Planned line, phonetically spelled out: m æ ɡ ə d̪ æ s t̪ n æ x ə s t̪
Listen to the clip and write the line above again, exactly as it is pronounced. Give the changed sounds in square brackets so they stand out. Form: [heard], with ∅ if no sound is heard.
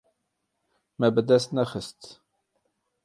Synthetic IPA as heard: m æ [b] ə d̪ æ s t̪ n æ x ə s t̪